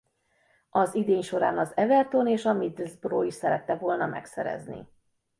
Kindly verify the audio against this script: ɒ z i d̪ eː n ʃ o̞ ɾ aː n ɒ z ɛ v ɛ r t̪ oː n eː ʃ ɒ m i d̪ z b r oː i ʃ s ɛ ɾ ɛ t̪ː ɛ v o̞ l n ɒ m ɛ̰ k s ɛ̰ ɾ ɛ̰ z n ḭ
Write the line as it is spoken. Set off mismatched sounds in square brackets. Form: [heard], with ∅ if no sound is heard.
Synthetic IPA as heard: ɒ z i d̪ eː [ɲ] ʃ o̞ ɾ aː n ɒ z ɛ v ɛ r t̪ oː n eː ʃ ɒ m i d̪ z b r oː i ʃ s ɛ ɾ ɛ t̪ː ɛ v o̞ l n ɒ m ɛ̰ k s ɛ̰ ɾ ɛ̰ z n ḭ